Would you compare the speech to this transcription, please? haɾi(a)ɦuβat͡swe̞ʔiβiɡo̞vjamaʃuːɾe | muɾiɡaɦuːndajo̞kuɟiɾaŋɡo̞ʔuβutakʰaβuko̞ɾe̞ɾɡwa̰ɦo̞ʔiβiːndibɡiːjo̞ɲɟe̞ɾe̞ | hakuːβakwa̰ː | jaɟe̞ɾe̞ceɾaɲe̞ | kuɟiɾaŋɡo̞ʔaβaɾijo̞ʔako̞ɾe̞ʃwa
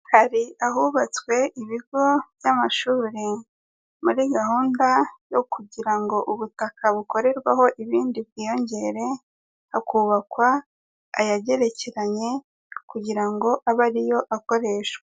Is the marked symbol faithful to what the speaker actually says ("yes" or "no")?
yes